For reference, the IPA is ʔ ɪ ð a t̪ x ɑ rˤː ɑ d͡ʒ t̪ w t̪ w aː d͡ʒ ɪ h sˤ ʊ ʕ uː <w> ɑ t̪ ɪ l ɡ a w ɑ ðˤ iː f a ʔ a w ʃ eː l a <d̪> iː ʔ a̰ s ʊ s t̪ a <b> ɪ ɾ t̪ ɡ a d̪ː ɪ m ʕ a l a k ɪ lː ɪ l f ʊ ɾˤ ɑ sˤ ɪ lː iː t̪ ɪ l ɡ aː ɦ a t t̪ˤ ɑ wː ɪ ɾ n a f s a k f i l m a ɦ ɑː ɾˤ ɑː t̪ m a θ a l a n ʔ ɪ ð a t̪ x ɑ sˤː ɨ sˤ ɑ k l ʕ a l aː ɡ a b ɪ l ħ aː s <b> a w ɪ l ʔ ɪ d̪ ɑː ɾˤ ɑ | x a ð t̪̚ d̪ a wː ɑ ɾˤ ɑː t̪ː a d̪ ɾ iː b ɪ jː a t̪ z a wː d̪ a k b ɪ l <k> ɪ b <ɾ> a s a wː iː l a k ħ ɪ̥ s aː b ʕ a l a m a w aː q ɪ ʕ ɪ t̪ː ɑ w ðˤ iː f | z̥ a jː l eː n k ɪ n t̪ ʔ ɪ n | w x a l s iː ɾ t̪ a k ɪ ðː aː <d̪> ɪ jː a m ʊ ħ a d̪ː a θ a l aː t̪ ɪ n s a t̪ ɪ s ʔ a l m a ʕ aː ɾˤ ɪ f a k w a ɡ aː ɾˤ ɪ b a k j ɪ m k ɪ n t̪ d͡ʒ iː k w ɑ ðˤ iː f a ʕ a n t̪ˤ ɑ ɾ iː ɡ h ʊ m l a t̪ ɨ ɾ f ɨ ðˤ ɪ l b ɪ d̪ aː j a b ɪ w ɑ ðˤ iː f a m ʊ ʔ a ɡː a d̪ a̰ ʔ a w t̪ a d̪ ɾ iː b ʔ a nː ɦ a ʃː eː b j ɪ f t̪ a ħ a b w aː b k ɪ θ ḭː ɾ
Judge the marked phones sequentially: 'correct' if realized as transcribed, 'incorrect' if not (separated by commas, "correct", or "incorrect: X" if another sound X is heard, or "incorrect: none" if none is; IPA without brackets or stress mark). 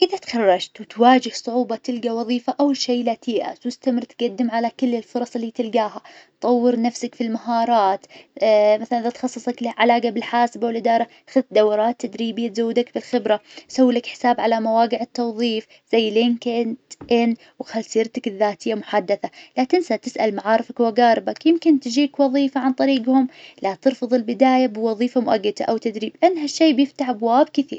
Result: incorrect: b, incorrect: t̪, incorrect: m, correct, incorrect: x, correct, incorrect: t̪